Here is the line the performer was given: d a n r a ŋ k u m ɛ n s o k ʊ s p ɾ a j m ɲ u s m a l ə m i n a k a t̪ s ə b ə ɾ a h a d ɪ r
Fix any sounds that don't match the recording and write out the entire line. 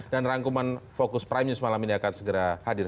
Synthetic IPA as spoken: d a n r a ŋ k u m a n f o k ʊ s p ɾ a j m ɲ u s m a l a m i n a k a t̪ s ə ɡ ə ɾ a h a d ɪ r